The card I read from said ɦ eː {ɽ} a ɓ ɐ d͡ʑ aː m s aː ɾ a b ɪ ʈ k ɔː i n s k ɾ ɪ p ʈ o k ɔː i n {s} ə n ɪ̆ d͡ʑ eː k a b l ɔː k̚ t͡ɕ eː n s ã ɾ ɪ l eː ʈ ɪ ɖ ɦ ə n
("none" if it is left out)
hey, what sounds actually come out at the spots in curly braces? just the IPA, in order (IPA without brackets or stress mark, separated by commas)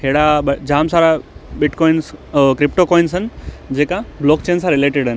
ɽ, s